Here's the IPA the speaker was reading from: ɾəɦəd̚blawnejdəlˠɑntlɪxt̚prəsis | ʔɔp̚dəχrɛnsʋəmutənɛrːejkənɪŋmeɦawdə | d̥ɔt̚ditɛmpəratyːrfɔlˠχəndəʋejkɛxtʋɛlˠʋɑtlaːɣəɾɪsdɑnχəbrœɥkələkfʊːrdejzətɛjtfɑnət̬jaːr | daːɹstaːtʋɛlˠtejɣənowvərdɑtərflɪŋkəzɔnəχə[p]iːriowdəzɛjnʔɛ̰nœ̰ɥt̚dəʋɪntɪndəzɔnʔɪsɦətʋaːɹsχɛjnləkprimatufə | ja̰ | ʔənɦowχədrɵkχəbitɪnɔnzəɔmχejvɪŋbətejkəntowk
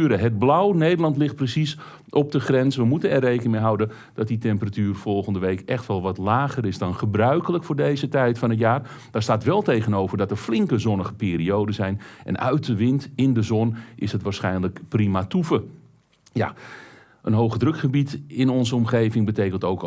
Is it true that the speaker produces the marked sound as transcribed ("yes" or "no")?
yes